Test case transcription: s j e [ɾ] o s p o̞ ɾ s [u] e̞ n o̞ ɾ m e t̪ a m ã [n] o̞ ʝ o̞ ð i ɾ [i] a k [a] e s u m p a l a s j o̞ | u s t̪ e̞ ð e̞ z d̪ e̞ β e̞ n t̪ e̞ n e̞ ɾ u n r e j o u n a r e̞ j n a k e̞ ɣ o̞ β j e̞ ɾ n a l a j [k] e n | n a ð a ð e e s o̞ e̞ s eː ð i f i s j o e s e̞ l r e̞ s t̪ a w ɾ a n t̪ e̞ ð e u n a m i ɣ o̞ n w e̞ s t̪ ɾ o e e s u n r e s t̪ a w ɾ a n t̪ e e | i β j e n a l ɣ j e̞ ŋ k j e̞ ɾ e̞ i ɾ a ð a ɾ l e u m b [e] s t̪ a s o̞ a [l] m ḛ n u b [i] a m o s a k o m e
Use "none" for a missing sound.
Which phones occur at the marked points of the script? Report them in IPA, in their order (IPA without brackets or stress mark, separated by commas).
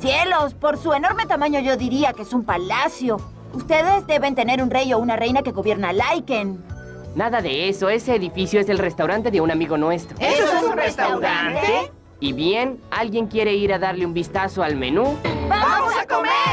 l, u, ɲ, i, e, k, i, l, a